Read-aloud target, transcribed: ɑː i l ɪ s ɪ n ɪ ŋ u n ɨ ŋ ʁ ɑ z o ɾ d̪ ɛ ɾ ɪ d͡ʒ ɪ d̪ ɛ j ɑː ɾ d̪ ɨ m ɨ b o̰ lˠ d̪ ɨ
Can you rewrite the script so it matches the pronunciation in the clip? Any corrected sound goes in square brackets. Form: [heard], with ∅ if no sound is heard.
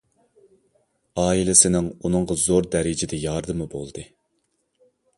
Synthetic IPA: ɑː i l ɪ s ɪ n ɪ ŋ u n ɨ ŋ ʁ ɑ z o ɾ d̪ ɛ ɾ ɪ d͡ʒ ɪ d̪ ɛ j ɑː ɾ d̪ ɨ m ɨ b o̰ lˠ d̪ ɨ